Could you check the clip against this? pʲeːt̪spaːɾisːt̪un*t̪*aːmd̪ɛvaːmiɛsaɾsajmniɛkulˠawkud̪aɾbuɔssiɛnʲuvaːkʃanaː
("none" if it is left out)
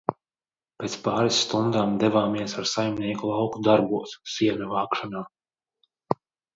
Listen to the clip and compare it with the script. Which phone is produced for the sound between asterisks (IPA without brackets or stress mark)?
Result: d̪